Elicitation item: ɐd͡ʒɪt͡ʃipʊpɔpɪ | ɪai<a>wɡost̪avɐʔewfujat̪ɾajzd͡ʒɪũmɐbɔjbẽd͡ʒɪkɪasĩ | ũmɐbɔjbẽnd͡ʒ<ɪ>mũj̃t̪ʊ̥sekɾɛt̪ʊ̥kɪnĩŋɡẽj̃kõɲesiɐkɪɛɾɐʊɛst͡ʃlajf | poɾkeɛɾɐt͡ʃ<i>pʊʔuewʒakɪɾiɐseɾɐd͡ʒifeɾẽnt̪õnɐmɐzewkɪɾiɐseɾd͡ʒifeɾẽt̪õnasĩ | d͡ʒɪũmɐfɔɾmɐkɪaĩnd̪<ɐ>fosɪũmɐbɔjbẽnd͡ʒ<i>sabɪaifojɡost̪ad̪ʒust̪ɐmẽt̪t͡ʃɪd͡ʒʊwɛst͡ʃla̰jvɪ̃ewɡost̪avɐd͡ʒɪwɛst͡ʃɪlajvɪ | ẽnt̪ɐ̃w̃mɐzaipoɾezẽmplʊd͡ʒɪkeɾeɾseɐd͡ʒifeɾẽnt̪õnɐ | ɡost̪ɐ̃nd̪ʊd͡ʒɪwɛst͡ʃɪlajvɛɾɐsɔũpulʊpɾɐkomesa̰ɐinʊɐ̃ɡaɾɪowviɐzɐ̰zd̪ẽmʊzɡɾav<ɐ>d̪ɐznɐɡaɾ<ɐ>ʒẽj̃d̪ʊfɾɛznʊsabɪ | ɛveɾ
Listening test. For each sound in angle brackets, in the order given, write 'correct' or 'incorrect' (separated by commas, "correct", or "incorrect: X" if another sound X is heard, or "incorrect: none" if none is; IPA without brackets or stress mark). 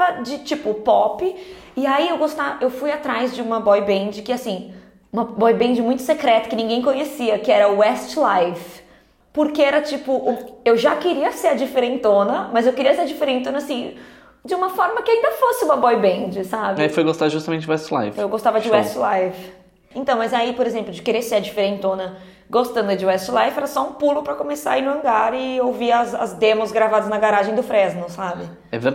incorrect: e, correct, correct, correct, incorrect: ɪ, incorrect: a, incorrect: a